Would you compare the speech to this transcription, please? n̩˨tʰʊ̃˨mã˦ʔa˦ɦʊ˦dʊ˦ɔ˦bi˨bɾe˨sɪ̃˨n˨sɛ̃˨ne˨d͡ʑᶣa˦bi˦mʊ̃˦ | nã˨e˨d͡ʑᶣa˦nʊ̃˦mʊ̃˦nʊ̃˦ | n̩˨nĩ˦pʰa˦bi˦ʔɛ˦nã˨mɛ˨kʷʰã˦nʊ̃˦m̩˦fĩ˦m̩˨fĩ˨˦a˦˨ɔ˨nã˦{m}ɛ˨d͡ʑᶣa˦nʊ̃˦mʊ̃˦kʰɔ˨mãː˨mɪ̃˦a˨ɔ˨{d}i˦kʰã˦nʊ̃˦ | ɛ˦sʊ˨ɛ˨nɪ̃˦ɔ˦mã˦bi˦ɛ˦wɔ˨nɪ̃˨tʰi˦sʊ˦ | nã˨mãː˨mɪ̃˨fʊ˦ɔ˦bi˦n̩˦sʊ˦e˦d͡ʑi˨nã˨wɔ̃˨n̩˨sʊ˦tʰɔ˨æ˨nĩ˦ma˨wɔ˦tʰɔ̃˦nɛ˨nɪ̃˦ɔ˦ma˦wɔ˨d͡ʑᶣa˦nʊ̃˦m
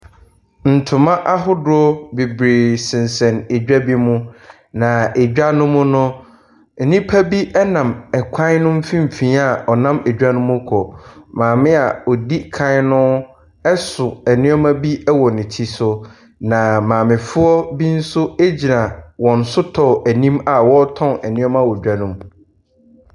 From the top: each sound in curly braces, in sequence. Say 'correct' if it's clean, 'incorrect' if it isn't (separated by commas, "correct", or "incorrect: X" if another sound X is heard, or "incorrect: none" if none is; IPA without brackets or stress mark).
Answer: correct, correct